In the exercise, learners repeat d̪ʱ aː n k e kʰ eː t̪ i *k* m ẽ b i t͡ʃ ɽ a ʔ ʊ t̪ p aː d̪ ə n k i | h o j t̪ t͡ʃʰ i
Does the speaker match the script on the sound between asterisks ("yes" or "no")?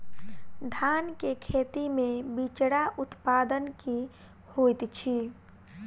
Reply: no